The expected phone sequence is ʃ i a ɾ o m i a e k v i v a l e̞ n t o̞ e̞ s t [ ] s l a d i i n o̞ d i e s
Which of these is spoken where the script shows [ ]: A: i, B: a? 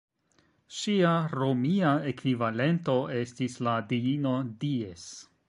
A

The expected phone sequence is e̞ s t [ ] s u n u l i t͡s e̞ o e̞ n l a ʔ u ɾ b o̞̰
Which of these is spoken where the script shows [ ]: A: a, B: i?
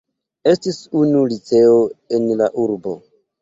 B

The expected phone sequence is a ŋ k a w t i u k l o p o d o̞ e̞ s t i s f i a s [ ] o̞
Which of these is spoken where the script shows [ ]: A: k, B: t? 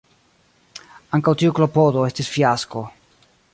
A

